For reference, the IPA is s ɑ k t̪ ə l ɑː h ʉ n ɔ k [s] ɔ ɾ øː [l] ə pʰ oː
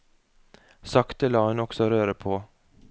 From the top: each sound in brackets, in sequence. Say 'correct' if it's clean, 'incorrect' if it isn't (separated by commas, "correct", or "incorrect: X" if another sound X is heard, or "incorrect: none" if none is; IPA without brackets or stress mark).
correct, incorrect: ɾ